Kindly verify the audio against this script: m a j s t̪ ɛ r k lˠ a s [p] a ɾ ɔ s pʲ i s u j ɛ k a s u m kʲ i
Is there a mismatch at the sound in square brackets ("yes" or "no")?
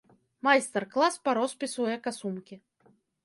no